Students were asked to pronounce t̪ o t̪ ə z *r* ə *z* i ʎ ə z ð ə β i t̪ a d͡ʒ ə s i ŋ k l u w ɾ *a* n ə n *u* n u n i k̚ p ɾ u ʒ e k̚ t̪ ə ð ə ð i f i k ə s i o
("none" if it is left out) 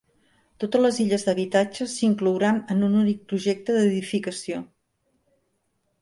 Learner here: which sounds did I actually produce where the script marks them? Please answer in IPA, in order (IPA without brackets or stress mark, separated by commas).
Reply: l, z, a, u